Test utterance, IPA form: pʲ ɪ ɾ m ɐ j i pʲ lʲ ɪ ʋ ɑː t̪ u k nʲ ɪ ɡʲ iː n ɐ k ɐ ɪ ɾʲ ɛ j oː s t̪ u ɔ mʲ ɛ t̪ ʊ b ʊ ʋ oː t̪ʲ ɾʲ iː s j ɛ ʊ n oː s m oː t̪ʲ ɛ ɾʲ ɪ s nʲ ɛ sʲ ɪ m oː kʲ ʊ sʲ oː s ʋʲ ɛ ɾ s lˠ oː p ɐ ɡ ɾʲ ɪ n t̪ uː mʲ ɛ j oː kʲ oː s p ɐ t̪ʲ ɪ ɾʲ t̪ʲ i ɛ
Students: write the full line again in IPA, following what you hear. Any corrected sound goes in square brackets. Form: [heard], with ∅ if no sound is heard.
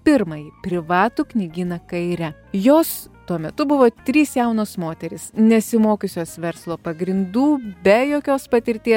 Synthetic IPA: pʲ ɪ ɾ m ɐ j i pʲ [ɾʲ] ɪ ʋ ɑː t̪ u k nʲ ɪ ɡʲ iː n ɐ k ɐ ɪ ɾʲ ɛ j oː s t̪ u ɔ mʲ ɛ t̪ ʊ b ʊ ʋ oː t̪ʲ ɾʲ iː s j ɛ ʊ n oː s m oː t̪ʲ ɛ ɾʲ ɪ s nʲ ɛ sʲ ɪ m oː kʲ ʊ sʲ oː s ʋʲ ɛ ɾ s lˠ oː p ɐ ɡ ɾʲ ɪ n [d̪] uː [bʲ] ɛ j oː kʲ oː s p ɐ t̪ʲ ɪ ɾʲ t̪ʲ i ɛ

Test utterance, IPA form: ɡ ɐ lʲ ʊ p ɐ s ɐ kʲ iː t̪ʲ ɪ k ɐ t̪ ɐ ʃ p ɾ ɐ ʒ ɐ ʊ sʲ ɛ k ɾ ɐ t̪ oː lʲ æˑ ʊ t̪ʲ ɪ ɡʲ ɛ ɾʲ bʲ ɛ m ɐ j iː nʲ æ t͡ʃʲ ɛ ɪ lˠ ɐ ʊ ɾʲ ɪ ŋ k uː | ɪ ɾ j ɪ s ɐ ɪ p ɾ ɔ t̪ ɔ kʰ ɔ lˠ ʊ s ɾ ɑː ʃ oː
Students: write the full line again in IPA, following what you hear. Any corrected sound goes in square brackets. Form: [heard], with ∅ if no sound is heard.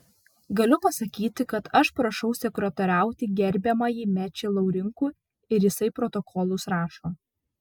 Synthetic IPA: ɡ ɐ lʲ ʊ p ɐ s ɐ kʲ iː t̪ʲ ɪ k ɐ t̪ ɐ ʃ p ɾ ɐ [ʃ] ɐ ʊ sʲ ɛ k ɾ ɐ t̪ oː [ɾʲ] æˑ ʊ t̪ʲ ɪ ɡʲ ɛ ɾʲ bʲ ɛ m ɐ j iː [mʲ] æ t͡ʃʲ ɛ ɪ lˠ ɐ ʊ ɾʲ ɪ ŋ k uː | ɪ ɾ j ɪ s ɐ ɪ p ɾ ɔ t̪ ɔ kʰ ɔ lˠ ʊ s ɾ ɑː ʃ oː

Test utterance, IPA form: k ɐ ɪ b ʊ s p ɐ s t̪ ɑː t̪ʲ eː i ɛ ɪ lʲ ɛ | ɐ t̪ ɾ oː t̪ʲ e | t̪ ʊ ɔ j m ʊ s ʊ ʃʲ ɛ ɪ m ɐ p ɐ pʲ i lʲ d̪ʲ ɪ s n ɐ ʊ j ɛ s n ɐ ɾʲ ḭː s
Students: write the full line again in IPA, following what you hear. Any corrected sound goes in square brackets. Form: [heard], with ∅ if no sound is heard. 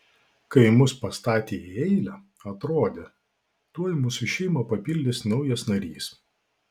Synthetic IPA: k ɐ ɪ [m] ʊ s p ɐ s t̪ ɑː t̪ʲ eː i ɛ ɪ lʲ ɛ | ɐ t̪ ɾ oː [d̪ʲ] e | t̪ [u] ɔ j m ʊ s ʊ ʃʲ ɛ ɪ m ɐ p ɐ pʲ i lʲ d̪ʲ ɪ s n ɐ ʊ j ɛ s n ɐ ɾʲ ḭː s

